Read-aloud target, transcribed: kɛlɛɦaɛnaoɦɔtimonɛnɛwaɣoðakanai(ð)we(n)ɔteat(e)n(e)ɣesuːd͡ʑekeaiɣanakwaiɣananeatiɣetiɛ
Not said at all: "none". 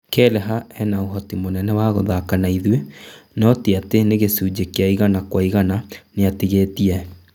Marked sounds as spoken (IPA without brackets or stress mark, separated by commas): ð, n, e, e